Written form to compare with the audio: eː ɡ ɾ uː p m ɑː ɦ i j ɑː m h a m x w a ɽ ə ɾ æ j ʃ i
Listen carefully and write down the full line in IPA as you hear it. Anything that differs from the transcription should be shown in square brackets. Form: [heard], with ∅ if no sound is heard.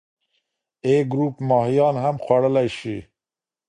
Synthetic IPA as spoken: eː ɡ ɾ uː p m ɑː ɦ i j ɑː [n] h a m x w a ɽ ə [l] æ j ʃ i